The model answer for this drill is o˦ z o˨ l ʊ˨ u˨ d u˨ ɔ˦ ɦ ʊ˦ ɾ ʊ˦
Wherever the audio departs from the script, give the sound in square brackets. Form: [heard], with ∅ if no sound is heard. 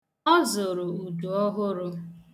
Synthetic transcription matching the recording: [ɔ˦] z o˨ [ɾ] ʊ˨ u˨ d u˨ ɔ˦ ɦ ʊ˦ ɾ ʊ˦